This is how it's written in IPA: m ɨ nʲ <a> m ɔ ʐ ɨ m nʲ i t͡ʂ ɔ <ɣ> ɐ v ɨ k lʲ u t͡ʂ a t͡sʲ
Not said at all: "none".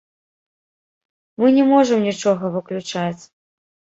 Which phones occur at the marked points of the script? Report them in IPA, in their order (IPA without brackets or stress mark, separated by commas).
ɛ, ɣ